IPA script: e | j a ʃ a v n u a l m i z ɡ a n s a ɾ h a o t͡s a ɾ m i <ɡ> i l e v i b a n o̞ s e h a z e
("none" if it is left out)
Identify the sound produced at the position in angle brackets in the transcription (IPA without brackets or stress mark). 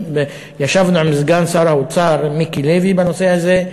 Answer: k